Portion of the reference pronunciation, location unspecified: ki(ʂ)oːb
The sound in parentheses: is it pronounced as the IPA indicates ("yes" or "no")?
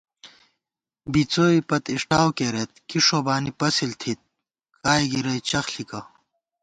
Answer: yes